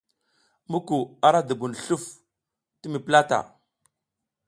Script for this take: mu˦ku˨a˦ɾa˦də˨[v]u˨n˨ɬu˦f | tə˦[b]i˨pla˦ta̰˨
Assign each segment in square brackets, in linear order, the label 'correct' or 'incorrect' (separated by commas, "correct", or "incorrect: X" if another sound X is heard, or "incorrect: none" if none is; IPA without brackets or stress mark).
incorrect: b, incorrect: m